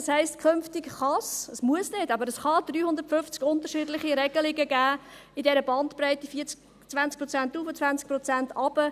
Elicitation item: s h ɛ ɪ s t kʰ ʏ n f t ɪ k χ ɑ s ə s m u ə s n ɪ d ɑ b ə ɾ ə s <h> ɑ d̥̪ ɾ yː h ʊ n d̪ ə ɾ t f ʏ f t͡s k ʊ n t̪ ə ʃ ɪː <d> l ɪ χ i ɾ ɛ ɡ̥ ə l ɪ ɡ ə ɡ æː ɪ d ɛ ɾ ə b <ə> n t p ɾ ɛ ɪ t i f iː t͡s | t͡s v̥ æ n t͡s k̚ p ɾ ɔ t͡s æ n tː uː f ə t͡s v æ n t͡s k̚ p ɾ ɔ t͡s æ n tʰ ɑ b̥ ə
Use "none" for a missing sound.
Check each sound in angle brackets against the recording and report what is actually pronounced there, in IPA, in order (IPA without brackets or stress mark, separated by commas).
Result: χ, d, ɑ